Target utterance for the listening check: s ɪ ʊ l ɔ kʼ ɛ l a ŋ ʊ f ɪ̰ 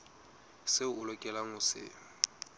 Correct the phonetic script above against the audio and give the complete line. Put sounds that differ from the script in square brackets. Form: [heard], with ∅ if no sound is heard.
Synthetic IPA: s ɪ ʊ l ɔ kʼ ɛ l a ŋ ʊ [s] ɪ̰